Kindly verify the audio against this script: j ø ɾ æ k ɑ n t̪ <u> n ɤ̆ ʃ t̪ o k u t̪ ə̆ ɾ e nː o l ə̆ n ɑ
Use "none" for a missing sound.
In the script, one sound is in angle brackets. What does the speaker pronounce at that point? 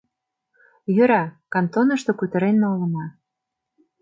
o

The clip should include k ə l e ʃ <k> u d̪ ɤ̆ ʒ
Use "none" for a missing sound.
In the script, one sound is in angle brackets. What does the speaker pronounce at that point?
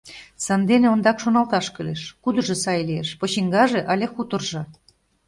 k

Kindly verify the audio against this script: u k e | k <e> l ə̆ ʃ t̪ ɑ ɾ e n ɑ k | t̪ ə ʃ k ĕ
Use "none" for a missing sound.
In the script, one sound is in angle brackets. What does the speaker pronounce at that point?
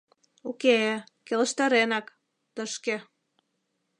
e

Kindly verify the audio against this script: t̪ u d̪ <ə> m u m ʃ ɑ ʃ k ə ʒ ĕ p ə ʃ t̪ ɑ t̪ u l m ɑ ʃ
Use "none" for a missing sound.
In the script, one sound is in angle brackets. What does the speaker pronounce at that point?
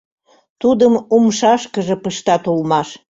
ə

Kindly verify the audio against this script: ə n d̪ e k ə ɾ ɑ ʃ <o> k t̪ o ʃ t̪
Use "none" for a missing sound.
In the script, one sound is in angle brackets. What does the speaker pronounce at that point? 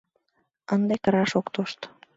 o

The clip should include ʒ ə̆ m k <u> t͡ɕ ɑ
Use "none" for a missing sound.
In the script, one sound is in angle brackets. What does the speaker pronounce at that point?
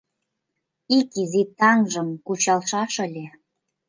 u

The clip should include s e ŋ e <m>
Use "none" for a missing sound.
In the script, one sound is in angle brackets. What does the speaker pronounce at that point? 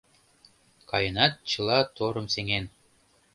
n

